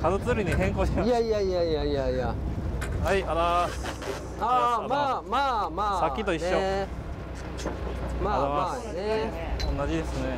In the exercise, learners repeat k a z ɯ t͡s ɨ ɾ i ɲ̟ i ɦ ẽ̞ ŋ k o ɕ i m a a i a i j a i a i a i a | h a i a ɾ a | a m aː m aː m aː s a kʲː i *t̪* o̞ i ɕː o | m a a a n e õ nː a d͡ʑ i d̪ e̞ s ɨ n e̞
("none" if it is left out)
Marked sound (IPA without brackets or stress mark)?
t̪